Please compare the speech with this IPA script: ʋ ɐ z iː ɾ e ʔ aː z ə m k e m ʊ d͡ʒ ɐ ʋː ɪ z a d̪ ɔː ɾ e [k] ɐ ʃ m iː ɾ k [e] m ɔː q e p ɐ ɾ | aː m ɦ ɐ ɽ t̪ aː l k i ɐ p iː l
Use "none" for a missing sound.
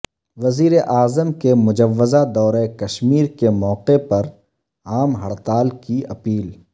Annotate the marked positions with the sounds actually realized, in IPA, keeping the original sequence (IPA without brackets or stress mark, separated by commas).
k, e